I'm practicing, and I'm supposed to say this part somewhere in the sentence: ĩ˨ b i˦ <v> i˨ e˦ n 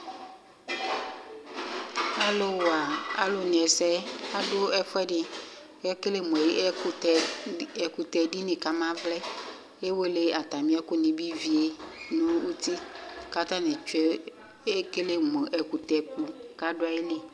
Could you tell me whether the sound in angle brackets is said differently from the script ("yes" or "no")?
no